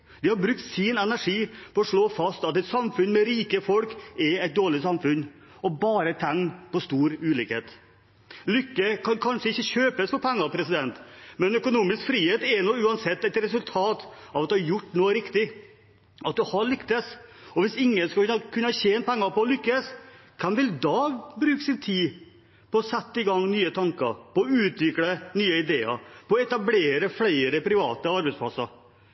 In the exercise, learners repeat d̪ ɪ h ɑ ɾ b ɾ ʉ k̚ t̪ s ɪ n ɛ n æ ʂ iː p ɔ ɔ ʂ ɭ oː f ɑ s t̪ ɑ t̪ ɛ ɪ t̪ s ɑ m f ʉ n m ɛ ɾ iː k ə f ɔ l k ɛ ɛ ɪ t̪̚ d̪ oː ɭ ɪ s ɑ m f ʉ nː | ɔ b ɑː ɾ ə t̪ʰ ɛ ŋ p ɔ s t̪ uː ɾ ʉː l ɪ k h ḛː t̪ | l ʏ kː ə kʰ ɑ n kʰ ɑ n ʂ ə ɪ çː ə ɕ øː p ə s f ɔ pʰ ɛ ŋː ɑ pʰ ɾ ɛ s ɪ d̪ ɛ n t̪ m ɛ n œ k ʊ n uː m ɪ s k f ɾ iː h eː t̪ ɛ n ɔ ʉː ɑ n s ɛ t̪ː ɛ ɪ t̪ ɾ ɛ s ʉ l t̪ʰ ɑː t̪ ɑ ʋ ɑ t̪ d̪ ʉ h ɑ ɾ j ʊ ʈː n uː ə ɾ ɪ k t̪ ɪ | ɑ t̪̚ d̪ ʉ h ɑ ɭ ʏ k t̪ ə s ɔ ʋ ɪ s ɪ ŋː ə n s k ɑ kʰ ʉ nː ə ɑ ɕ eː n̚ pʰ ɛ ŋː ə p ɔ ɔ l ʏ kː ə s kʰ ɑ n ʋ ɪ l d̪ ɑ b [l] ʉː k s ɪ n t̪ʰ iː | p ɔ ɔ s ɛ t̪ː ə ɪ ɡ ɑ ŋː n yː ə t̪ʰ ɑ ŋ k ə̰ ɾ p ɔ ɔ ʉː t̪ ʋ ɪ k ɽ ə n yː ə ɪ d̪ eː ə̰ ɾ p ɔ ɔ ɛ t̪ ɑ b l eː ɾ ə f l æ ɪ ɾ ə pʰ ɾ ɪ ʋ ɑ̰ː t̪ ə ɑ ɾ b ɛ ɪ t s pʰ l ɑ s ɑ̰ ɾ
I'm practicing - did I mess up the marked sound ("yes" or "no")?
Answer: yes